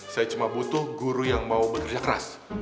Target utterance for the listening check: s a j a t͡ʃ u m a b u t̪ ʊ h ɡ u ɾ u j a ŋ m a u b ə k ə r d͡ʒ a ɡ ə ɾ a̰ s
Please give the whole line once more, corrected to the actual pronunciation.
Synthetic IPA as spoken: s a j a t͡ʃ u m a b u t̪ ʊ h ɡ u ɾ u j a ŋ m a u b ə k ə r d͡ʒ a k ə ɾ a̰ s